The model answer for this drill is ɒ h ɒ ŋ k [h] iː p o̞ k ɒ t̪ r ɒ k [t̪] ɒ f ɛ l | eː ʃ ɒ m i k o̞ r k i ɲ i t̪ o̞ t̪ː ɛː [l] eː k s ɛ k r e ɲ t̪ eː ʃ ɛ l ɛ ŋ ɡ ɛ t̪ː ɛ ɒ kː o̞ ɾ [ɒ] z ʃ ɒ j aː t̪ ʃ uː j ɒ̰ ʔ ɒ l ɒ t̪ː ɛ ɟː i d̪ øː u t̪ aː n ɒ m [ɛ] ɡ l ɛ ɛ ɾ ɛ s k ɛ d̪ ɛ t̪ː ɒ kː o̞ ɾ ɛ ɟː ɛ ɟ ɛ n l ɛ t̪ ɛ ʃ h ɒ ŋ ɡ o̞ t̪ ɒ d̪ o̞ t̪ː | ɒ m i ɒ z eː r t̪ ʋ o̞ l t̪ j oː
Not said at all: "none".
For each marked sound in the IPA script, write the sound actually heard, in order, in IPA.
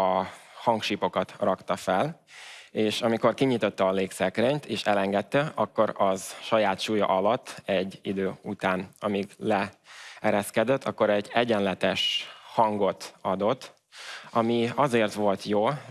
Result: ʃ, t̪, l, ɒ, i

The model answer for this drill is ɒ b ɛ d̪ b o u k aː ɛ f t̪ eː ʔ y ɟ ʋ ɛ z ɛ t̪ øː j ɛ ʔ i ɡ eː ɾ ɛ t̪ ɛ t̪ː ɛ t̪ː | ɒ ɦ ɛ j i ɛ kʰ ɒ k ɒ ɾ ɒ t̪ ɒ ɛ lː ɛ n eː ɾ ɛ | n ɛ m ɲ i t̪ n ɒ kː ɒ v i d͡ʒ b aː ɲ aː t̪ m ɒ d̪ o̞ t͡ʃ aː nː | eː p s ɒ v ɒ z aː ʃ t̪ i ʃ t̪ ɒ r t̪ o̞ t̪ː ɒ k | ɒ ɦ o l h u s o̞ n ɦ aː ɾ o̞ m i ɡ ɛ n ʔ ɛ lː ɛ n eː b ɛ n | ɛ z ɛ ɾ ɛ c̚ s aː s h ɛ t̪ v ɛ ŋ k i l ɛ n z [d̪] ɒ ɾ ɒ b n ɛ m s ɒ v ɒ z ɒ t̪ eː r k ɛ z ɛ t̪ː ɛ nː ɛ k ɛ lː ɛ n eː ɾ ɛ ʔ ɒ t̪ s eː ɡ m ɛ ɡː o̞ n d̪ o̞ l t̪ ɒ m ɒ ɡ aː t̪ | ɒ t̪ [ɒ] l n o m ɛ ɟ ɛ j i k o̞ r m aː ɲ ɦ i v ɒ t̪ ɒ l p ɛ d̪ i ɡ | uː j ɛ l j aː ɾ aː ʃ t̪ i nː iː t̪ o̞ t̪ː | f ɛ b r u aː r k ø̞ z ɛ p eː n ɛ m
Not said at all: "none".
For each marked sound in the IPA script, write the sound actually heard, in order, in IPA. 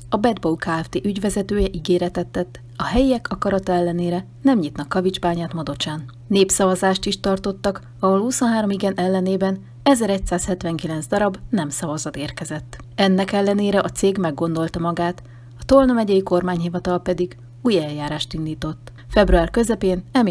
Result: d̪, o

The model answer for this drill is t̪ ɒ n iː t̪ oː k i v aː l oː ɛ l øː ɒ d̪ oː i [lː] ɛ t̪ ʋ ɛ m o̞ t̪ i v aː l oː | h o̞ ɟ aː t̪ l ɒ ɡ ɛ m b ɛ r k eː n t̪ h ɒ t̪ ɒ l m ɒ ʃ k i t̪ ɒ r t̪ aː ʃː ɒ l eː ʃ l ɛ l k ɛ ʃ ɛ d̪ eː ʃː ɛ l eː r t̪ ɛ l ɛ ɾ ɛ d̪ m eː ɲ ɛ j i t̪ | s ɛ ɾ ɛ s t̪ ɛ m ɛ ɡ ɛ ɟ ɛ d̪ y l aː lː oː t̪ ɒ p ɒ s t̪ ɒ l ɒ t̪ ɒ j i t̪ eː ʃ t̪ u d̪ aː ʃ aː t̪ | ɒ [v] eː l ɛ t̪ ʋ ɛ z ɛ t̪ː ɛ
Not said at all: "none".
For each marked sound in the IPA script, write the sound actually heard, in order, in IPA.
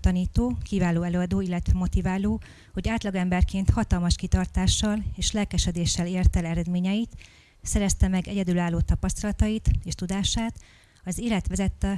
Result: lː, z

